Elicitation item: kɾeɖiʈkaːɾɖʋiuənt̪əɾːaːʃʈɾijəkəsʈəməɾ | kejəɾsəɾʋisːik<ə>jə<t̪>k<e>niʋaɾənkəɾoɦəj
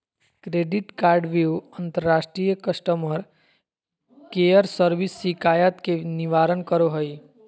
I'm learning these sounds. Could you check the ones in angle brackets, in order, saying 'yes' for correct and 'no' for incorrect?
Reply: no, yes, yes

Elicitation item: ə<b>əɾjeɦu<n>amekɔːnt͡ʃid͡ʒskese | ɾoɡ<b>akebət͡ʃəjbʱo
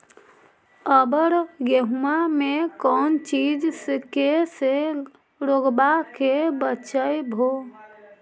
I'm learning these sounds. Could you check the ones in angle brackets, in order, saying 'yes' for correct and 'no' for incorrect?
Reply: yes, no, yes

